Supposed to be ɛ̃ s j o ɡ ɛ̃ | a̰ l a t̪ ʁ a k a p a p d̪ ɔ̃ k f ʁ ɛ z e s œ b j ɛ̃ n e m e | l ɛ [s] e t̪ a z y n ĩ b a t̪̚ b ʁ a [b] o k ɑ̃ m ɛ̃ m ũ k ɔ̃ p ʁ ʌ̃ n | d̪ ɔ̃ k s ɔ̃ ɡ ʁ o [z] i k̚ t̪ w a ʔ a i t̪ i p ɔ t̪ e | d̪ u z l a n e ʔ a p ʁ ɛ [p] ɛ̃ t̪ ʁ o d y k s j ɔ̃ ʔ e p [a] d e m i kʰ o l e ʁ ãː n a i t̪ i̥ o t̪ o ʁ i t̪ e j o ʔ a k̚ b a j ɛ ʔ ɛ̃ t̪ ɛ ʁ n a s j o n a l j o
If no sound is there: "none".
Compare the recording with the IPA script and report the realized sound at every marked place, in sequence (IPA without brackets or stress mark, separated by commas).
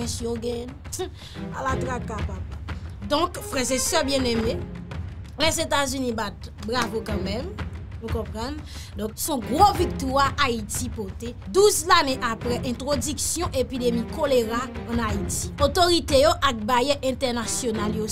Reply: z, v, v, ʔ, i